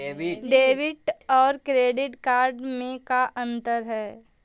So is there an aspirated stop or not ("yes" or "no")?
no